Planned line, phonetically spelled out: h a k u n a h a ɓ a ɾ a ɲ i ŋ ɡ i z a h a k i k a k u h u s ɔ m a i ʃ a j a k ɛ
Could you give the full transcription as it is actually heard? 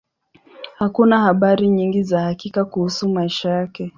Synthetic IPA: h a k u n a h a ɓ a ɾ i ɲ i ŋ ɡ i z a h a k i k a k u h u s u m a i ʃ a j a k ɛ